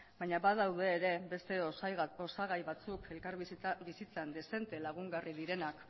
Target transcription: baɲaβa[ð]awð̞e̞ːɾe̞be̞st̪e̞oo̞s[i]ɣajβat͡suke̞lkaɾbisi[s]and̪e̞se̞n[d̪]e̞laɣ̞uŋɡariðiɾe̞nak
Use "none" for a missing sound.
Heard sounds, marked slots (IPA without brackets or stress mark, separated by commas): ð, a, t͡s, t̪